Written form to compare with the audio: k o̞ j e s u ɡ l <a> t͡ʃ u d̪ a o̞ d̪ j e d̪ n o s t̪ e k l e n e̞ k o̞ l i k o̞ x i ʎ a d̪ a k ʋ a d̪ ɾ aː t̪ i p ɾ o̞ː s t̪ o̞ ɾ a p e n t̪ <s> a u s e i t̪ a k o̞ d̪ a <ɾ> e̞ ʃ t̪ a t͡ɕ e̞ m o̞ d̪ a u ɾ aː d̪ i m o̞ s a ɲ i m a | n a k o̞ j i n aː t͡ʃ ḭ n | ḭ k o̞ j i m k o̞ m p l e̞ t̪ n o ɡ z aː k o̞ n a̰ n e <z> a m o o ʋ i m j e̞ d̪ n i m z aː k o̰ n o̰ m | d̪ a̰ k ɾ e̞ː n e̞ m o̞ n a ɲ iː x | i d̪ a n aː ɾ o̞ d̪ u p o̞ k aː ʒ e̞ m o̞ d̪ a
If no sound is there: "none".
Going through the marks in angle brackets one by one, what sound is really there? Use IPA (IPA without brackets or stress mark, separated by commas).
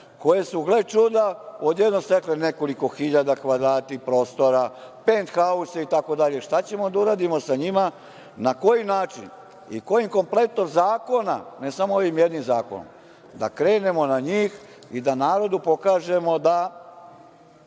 e, x, ʎ, s